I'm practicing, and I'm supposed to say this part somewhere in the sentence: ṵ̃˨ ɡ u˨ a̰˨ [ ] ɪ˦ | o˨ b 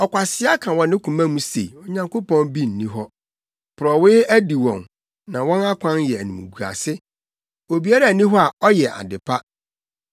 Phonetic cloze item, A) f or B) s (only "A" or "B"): B